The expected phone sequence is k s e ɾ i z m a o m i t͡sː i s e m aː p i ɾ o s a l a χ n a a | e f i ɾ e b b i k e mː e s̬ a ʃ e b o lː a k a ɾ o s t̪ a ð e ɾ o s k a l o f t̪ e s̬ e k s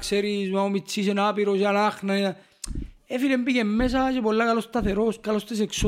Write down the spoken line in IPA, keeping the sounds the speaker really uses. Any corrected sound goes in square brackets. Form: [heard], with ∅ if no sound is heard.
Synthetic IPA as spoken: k s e ɾ i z m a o m i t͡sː i s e [n] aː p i ɾ o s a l a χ n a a | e f i [l] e [m] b i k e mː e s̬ a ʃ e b o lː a k a [l] o s t̪ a [θ] e ɾ o s k a l o [s] t̪ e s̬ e k s